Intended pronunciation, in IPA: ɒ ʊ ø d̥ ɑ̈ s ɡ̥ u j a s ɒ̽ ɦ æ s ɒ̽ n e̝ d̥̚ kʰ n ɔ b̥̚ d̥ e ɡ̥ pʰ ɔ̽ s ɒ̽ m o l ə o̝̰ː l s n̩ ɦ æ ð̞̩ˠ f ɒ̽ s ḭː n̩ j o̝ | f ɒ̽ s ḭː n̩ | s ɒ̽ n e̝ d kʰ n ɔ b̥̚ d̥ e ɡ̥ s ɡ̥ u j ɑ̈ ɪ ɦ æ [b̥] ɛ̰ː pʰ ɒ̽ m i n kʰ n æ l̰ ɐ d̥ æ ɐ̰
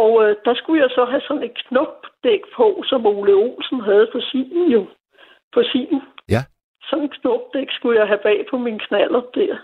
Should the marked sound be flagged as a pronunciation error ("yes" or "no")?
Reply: no